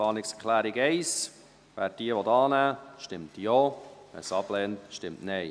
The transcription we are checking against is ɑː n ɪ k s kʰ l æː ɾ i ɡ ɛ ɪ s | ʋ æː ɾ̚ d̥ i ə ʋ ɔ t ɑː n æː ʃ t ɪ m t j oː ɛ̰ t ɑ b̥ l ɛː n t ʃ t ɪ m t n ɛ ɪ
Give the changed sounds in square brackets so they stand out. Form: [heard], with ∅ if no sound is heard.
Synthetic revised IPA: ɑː n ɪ k s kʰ l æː ɾ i ɡ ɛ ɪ s | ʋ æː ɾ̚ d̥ i ə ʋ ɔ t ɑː n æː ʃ t ɪ m t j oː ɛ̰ [s] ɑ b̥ l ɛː n t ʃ t ɪ m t n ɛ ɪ